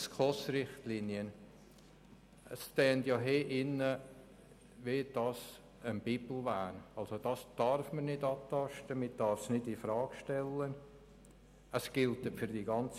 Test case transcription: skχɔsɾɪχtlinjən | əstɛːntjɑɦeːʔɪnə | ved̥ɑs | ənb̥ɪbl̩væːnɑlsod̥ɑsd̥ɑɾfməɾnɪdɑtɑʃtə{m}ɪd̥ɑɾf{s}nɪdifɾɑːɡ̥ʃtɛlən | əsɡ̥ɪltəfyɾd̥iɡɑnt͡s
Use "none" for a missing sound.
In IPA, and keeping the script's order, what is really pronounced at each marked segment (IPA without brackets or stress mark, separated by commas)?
m, s